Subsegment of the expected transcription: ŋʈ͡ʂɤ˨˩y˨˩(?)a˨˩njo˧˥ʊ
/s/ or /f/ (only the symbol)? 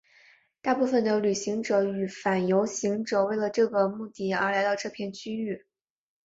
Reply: f